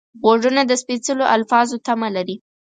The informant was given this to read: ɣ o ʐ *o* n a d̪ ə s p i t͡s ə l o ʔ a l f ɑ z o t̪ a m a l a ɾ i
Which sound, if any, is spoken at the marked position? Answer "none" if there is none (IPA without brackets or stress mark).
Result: u